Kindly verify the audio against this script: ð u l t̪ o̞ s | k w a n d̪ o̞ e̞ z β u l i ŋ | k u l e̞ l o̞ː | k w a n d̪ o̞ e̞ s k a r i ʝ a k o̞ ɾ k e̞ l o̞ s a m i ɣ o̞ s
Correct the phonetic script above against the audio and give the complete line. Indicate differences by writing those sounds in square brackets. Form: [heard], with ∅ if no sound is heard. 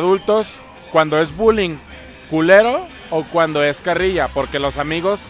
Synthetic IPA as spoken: ð u l t̪ o̞ s | k w a n d̪ o̞ e̞ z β u l i ŋ | k u l e̞ [ɾ] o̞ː | k w a n d̪ o̞ e̞ s k a r i ʝ a [p] o̞ ɾ k e̞ l o̞ s a m i ɣ o̞ s